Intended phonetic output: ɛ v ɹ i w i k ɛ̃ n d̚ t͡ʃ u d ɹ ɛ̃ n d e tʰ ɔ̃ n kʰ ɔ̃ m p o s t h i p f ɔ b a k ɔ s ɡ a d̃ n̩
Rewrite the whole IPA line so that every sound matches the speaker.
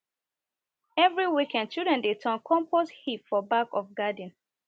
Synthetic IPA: ɛ v ɹ i w i k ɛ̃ n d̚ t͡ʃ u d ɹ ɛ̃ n d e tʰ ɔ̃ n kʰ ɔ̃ m p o s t h i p f ɔ b a k ɔ f ɡ a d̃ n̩